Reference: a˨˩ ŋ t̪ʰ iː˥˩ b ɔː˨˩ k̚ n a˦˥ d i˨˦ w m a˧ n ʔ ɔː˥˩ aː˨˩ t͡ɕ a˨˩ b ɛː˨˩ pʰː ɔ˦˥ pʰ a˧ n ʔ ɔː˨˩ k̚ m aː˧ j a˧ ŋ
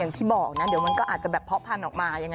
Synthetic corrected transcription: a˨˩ ŋ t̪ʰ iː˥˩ b ɔː˨˩ k̚ n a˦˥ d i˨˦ w m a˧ n k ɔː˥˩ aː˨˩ t͡ɕ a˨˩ b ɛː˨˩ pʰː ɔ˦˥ pʰ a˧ n ʔ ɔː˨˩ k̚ m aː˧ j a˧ ŋ